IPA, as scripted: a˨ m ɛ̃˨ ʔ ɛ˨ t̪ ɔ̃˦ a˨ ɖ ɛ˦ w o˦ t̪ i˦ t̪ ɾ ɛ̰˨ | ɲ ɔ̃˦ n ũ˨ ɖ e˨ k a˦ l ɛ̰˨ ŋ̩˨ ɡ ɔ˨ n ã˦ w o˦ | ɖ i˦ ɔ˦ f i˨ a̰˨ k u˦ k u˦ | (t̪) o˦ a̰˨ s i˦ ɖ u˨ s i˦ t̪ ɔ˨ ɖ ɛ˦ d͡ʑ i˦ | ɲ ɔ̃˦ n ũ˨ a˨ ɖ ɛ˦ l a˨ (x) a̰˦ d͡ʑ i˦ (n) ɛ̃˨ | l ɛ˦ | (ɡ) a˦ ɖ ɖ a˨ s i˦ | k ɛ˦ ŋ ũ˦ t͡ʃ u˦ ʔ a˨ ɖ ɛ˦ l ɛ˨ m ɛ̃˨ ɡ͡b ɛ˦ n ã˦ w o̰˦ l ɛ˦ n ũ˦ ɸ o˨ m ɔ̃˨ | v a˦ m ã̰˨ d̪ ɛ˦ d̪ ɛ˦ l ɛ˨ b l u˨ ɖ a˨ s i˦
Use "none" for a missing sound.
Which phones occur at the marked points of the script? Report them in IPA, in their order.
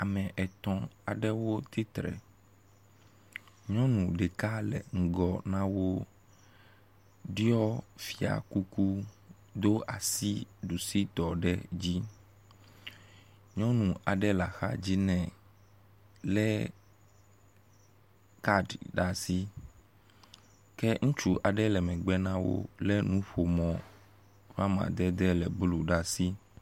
d̪, x, n, k

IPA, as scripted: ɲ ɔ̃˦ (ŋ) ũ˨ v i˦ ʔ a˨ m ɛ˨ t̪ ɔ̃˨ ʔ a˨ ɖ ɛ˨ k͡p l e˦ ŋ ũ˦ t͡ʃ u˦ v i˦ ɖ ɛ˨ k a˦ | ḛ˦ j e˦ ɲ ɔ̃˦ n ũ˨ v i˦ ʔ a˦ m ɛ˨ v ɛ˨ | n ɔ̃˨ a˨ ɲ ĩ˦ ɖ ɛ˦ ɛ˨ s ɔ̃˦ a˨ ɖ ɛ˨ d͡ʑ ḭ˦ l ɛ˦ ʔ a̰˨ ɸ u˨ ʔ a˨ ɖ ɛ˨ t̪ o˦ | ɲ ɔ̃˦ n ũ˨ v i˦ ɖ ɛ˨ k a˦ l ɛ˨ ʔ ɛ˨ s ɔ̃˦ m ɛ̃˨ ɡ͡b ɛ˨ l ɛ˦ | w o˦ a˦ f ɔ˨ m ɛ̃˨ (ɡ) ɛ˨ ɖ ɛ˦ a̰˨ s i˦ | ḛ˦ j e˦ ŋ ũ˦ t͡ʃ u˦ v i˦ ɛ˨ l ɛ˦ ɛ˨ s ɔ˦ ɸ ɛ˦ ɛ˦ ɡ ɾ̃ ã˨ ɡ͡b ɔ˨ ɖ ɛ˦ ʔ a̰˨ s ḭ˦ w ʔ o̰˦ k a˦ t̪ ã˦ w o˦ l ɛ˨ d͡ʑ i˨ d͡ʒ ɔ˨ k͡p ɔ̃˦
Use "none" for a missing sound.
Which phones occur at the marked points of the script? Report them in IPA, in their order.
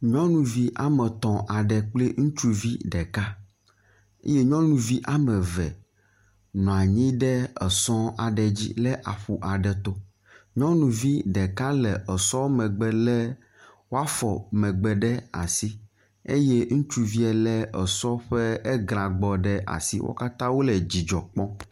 n, ɡ͡b

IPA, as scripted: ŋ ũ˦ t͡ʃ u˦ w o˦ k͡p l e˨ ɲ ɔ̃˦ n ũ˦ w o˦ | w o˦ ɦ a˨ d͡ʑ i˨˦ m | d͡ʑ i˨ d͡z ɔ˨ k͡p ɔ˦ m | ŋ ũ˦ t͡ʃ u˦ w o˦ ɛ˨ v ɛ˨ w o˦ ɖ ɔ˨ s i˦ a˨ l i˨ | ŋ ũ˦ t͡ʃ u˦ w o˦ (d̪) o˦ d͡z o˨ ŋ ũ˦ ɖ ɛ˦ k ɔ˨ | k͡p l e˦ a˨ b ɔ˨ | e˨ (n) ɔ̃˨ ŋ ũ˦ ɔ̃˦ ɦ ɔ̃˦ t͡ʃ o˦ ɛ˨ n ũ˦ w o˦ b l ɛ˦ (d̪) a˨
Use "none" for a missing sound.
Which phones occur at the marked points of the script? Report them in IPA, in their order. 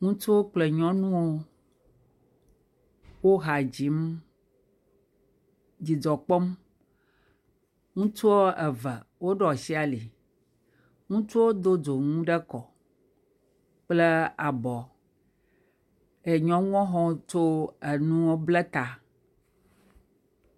d̪, ɲ, t̪

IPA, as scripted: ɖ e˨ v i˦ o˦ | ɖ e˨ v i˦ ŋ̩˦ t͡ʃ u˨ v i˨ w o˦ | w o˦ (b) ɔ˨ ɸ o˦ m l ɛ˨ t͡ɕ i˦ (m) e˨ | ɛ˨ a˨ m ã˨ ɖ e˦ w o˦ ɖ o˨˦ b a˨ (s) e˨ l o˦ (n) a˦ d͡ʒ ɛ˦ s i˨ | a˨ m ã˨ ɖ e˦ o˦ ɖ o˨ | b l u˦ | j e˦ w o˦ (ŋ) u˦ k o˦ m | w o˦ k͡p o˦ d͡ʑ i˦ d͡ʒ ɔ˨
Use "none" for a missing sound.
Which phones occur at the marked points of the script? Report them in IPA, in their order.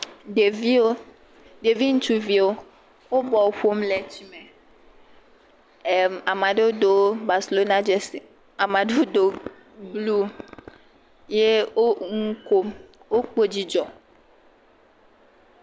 b, m, s, n, ŋ

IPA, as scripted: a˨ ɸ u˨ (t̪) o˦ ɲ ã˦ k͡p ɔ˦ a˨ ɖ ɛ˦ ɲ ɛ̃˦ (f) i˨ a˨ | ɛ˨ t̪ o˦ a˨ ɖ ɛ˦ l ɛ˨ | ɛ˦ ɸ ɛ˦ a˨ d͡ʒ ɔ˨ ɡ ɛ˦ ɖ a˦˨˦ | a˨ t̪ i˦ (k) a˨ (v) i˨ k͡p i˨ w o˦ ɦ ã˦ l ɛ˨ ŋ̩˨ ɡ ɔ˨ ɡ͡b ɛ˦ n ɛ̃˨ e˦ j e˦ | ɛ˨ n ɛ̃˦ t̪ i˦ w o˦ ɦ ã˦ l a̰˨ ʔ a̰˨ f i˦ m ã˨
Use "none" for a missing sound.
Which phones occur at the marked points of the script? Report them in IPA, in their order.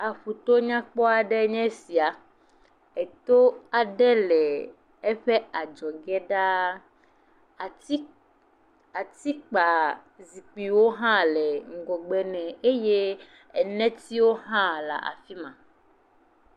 t̪, s, k͡p, z

